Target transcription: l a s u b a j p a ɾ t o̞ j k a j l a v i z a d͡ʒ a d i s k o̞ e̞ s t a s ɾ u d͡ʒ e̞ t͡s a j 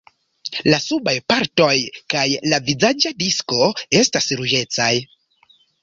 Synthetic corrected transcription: l a s u b a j p a ɾ t o̞ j k a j l a v i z a d͡ʒ a d i s k o̞ e̞ s t a s ɾ u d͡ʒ e̞ t͡s a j